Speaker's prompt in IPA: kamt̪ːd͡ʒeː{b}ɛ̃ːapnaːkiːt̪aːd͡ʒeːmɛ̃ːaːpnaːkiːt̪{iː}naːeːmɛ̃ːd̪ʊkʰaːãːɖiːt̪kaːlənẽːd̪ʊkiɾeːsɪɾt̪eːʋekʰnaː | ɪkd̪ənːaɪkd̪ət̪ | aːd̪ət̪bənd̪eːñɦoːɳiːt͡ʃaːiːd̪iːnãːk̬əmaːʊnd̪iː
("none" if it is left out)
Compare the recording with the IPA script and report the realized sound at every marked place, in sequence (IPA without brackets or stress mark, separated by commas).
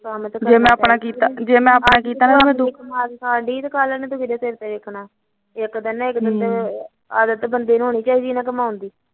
m, aː